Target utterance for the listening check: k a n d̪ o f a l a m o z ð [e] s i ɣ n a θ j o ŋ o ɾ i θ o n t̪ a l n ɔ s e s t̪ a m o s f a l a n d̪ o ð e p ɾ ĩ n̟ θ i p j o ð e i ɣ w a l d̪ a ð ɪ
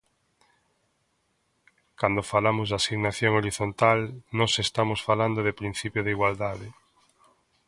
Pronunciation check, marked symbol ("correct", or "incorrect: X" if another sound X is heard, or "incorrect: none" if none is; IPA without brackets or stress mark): incorrect: a